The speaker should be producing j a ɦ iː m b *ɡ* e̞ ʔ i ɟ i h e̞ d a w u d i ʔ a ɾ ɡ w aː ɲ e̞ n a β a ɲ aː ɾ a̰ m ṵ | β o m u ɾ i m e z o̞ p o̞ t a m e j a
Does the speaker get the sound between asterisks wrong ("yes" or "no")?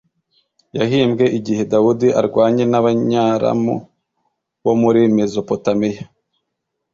no